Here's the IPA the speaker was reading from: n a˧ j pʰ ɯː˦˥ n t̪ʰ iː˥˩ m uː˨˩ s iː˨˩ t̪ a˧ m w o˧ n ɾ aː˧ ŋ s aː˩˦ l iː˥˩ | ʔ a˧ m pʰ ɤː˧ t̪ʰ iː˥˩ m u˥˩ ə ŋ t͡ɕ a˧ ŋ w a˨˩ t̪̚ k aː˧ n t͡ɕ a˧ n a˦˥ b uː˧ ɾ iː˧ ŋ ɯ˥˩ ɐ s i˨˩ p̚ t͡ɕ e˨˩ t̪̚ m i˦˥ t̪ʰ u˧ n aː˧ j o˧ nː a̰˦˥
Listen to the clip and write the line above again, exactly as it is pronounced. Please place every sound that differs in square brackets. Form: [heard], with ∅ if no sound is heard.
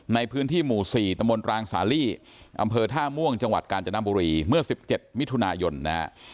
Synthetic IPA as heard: n a˧ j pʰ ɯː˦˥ n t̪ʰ iː˥˩ m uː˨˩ s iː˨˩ t̪ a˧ m [b] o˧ n ɾ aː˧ ŋ s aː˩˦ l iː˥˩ | ʔ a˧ m pʰ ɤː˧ t̪ʰ [aː˥˩] m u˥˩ ə ŋ t͡ɕ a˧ ŋ w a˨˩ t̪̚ k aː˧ n t͡ɕ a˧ n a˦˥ b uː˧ ɾ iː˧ [m] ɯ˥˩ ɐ s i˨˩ p̚ t͡ɕ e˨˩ t̪̚ m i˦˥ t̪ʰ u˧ n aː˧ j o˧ nː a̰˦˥